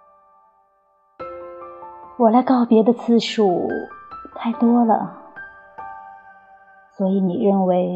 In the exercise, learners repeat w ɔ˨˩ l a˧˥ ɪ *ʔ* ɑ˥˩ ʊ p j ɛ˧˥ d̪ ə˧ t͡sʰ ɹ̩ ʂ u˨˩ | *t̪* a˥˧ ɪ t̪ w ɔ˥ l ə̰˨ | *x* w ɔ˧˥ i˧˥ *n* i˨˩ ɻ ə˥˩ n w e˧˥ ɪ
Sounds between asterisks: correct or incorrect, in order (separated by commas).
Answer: incorrect, incorrect, incorrect, correct